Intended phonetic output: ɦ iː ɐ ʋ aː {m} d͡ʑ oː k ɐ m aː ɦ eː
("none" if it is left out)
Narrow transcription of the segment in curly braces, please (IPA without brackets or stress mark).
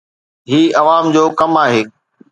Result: m